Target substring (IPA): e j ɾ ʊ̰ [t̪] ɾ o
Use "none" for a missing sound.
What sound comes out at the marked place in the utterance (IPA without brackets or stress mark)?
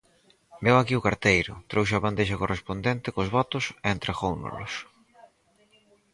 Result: t̪